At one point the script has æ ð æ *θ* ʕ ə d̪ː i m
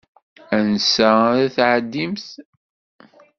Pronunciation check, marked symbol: correct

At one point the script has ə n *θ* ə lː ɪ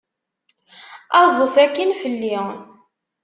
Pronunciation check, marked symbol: incorrect: f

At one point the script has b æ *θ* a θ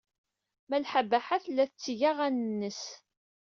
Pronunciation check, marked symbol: incorrect: ħ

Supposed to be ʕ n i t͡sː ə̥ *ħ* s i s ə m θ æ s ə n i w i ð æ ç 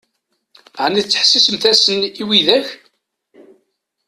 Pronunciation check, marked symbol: correct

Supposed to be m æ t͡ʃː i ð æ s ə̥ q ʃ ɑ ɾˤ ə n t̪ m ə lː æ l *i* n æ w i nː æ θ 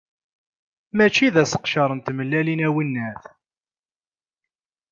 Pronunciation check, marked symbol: correct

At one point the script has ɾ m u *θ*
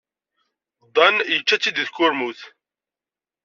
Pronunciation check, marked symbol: correct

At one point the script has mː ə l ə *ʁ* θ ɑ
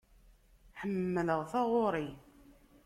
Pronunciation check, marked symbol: correct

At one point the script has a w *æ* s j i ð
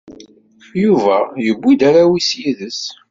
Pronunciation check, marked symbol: incorrect: i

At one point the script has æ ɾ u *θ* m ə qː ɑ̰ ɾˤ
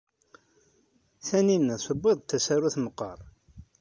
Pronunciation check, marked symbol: correct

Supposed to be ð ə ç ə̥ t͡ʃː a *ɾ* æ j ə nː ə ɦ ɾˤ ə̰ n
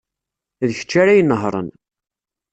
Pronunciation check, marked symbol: correct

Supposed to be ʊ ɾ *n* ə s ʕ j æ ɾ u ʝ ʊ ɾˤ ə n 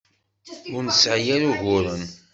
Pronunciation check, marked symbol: correct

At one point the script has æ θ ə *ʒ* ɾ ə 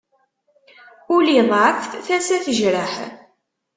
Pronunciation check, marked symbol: correct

